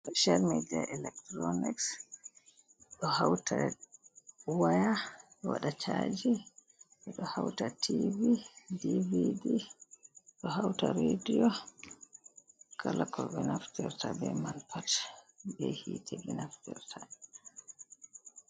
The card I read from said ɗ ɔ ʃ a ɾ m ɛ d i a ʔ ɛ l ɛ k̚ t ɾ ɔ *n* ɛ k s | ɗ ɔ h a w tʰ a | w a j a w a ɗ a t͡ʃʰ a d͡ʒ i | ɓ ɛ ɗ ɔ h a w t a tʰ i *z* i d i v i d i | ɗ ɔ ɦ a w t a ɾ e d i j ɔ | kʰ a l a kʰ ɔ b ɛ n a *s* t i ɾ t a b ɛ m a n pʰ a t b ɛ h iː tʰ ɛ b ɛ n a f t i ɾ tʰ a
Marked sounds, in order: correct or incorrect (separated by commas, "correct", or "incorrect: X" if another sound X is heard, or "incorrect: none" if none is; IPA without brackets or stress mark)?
correct, incorrect: v, incorrect: f